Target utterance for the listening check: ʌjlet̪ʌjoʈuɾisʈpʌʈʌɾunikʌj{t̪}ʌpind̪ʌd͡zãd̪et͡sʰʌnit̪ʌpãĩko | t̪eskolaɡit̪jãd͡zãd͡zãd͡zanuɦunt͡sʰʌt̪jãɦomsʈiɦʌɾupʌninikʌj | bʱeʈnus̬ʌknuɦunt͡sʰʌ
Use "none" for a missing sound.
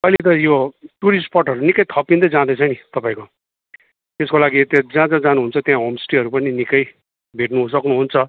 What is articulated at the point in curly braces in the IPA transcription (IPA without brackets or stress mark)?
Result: t̪ʰ